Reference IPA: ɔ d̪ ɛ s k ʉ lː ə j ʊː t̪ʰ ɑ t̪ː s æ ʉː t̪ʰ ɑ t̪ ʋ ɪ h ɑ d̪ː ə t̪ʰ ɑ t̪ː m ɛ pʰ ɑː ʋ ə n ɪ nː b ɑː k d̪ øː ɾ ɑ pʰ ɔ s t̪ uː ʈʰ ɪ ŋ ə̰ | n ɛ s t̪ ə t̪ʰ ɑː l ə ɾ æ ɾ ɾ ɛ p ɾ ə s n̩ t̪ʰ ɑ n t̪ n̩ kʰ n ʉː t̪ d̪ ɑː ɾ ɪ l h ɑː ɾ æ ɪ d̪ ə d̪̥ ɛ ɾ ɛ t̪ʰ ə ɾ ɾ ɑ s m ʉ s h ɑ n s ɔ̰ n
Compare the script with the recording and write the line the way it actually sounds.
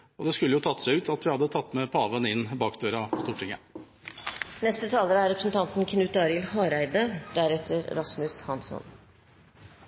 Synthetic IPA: ɔ d̪ ɛ s k ʉ lː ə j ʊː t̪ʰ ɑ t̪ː s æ ʉː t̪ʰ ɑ t̪ ʋ ɪ h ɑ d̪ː ə t̪ʰ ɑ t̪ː m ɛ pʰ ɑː ʋ ə n ɪ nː b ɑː k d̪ øː ɾ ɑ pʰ ɔ s t̪ uː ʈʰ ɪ ŋ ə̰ | n ɛ s t̪ ə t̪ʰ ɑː l ə ɾ æ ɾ ɾ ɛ p ɾ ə s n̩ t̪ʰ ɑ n t̪ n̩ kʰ n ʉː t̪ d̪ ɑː ɾ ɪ l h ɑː ɾ æ ɪ d̪ ə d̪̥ æ ɾ ɛ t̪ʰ ə ɾ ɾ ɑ s m ʉ s h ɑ n s ɔ̰ n